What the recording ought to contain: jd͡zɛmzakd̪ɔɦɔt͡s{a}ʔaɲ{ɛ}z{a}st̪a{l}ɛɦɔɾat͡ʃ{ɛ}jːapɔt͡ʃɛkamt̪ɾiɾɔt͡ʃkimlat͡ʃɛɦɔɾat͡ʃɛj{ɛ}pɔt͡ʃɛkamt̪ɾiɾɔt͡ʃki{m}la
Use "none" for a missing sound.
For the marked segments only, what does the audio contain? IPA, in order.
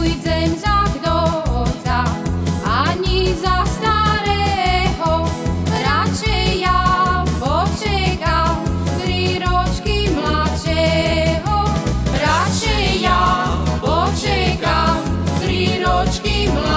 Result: a, i, a, ɾ, ɛ, a, m

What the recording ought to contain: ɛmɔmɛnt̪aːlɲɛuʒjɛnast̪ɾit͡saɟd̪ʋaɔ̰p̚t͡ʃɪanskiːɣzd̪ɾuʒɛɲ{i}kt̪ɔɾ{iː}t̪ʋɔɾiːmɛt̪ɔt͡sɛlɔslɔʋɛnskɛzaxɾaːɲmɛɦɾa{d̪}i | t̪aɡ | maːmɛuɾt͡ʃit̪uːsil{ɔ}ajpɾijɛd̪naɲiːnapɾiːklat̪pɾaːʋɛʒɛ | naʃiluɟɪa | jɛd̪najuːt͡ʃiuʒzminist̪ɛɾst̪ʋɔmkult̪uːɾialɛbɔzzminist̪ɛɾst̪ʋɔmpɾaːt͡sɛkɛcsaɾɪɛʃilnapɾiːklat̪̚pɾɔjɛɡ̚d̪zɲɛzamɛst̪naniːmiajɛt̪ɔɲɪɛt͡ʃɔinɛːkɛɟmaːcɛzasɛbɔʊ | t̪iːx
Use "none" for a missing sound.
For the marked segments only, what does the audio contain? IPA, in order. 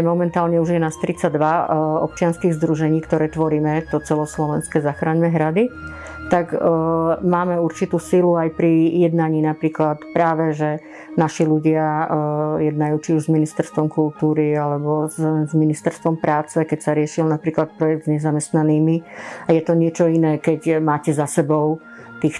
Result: iː, ɛː, d̪, u

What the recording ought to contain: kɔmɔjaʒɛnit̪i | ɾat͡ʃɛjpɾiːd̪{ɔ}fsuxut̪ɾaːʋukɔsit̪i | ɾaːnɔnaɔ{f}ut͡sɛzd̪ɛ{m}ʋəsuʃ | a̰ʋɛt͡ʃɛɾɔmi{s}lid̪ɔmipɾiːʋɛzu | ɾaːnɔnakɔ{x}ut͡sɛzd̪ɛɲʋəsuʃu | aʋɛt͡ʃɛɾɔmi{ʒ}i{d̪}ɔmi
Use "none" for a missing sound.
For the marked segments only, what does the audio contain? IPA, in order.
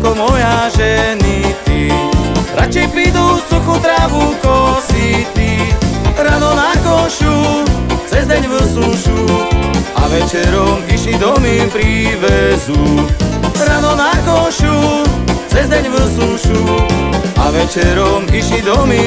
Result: u, ʃ, ɲ, ʃ, ʃ, ʃ, d̪

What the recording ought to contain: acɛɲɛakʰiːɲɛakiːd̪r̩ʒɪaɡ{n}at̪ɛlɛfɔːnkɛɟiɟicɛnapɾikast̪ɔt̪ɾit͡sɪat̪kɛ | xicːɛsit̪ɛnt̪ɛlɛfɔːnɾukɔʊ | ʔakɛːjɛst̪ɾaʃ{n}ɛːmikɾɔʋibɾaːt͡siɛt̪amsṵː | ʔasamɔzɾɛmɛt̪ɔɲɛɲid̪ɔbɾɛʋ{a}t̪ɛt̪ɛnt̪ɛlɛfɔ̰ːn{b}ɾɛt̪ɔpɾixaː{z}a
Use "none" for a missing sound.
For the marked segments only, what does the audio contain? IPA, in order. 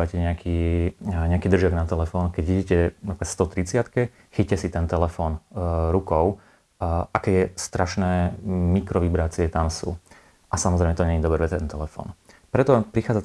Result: n, n, ɛ, p, d͡z

